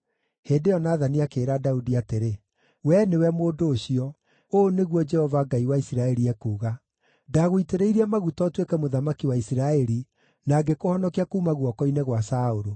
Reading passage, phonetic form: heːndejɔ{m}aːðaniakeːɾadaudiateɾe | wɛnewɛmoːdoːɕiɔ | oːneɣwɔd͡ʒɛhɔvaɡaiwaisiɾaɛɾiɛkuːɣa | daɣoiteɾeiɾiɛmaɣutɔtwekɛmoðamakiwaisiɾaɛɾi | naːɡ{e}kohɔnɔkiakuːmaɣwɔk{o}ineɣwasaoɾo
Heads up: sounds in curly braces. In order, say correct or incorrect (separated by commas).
incorrect, correct, incorrect